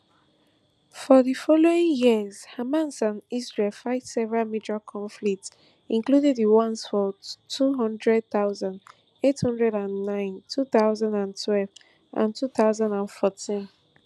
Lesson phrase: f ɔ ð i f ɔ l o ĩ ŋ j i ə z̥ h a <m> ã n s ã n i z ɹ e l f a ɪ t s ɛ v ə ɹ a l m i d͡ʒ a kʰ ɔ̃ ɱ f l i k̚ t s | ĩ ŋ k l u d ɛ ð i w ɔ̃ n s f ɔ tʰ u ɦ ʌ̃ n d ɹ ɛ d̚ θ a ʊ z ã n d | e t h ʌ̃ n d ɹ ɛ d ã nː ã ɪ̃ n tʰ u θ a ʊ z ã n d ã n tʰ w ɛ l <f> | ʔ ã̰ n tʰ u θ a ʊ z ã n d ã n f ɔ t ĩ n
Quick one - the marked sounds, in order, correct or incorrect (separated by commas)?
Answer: correct, incorrect